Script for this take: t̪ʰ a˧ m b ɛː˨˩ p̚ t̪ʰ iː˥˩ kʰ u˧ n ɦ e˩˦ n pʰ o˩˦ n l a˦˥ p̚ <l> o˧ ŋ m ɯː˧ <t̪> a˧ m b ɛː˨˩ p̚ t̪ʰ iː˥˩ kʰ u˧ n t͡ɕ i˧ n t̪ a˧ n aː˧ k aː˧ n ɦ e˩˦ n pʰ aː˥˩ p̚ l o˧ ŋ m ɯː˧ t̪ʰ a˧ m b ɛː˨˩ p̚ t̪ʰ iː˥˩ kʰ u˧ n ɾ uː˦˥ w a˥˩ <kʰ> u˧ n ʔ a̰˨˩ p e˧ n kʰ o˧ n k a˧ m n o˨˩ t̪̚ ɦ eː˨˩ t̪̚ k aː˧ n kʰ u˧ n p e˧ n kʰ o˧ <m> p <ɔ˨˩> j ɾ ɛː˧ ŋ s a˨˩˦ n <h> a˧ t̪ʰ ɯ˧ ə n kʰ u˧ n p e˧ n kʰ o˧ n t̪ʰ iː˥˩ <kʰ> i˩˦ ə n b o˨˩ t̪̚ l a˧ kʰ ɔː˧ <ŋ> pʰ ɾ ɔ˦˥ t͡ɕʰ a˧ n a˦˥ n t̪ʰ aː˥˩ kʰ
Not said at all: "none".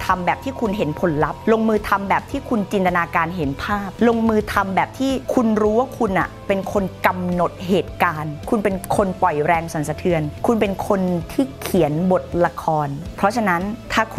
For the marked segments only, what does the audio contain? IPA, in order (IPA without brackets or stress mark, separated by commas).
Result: l, t̪ʰ, kʰ, n, ɔ˨˩, s, kʰ, n